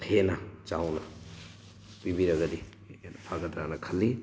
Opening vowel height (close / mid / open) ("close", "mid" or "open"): mid